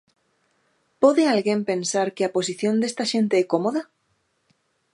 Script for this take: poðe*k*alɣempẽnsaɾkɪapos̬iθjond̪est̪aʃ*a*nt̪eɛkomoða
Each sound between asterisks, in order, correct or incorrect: incorrect: none, incorrect: e

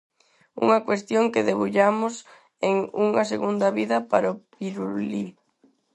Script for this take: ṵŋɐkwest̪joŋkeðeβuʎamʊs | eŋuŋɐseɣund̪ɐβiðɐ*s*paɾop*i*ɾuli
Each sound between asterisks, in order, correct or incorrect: incorrect: none, correct

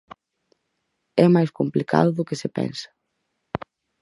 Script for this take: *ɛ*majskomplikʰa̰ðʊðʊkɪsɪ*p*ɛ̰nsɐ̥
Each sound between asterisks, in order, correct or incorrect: correct, correct

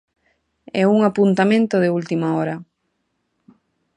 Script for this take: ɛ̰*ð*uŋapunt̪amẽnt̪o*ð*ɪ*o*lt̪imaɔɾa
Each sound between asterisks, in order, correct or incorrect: incorrect: none, correct, incorrect: u

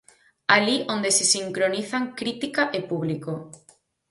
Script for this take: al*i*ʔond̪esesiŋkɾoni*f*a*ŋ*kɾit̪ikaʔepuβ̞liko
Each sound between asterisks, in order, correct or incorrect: correct, incorrect: θ, correct

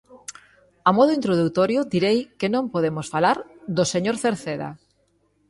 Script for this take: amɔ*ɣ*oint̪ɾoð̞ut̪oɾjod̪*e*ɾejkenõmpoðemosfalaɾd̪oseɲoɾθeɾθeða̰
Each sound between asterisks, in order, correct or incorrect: incorrect: ð, incorrect: i

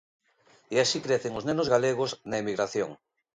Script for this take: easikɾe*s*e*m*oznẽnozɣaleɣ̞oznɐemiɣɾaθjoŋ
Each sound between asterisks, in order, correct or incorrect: incorrect: θ, incorrect: ŋ

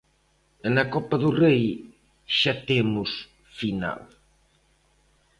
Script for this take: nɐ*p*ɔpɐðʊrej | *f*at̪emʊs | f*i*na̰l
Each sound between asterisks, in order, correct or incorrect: incorrect: k, incorrect: ʃ, correct

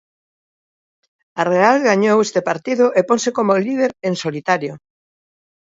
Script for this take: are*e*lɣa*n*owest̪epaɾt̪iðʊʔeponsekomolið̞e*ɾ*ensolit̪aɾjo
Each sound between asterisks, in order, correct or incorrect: incorrect: a, incorrect: ɲ, correct

